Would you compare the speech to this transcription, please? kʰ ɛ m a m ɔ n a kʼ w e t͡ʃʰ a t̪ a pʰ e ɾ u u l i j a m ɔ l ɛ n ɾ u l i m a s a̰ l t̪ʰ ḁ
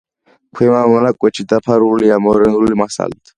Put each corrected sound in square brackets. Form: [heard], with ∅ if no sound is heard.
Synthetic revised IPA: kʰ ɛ m a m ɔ n a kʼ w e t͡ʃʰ [i] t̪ a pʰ [a] ɾ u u l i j a m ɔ [ɾ] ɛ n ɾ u l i m a s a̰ l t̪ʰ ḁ